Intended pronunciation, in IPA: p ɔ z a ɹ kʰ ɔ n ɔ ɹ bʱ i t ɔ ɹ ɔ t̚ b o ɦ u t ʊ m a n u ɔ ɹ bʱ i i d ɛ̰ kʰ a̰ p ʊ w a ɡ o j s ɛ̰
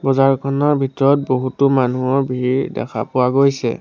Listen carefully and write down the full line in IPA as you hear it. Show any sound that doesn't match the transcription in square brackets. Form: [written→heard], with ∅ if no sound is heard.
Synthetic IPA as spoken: [p→b] ɔ z a ɹ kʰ ɔ n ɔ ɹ bʱ i t ɔ ɹ ɔ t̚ b o ɦ u t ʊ m a n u ɔ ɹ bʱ i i d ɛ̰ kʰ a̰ p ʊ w a ɡ o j s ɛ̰